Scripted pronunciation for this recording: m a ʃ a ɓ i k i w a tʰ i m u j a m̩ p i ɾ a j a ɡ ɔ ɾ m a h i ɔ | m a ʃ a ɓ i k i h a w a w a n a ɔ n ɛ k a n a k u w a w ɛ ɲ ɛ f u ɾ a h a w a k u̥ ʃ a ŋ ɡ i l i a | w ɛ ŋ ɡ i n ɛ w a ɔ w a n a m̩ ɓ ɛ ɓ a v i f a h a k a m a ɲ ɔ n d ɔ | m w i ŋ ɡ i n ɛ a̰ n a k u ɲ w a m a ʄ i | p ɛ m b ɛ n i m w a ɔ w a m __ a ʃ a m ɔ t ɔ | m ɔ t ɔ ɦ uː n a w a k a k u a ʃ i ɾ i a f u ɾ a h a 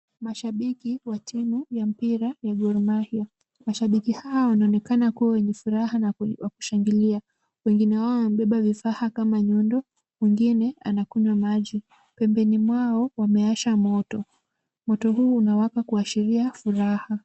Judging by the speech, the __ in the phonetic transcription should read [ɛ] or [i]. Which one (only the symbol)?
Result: ɛ